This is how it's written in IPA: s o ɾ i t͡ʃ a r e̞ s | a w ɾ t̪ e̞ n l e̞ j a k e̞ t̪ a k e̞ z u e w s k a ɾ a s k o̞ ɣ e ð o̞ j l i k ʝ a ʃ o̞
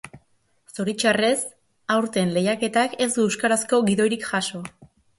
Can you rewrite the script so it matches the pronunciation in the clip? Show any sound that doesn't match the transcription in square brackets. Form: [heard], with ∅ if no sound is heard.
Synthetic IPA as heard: s o ɾ i t͡ʃ a r e̞ s | a w ɾ t̪ e̞ n l e̞ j a k e̞ t̪ a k e̞ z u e w s k a ɾ a s k o̞ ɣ [i] ð o̞ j [ɾ] i k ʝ a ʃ o̞